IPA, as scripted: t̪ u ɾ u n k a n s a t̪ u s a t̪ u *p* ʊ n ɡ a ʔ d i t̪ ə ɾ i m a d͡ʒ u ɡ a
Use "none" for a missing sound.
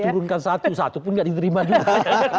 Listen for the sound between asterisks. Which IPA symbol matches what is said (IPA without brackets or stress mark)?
p